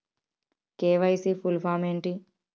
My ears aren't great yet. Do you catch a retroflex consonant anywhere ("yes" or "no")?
yes